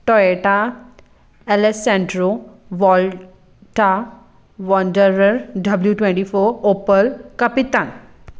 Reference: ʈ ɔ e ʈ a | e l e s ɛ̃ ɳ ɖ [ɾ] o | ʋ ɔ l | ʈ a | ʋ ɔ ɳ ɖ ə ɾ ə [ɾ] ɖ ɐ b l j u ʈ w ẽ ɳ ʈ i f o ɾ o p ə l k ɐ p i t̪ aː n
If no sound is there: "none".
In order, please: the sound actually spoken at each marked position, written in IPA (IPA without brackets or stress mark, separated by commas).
ɾ, ɾ